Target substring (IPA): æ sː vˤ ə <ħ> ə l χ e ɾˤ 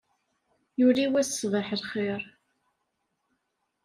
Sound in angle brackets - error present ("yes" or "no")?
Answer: no